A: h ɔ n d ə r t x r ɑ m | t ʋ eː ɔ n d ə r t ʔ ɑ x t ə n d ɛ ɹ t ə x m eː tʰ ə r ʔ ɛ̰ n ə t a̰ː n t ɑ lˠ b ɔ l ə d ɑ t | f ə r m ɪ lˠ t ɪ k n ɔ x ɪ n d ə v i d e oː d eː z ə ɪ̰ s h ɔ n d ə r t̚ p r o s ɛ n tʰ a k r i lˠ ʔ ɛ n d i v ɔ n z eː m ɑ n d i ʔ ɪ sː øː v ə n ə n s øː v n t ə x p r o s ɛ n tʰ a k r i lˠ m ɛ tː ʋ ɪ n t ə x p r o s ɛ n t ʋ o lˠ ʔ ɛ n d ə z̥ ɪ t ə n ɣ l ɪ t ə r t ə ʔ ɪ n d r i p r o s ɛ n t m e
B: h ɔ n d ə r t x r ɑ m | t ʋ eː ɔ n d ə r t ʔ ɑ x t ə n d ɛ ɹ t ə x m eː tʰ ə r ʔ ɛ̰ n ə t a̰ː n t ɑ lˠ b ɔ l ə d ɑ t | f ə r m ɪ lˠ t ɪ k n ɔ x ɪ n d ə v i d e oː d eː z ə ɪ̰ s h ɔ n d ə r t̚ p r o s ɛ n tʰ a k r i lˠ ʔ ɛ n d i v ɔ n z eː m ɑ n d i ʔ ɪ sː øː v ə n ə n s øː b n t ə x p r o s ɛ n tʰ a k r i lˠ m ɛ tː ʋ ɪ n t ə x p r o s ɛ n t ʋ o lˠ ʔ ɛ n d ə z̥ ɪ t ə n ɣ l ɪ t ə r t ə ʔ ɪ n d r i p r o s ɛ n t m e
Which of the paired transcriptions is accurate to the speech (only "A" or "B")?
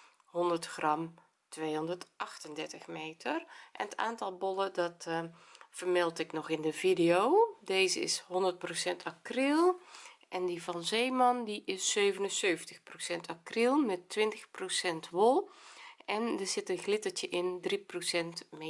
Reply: A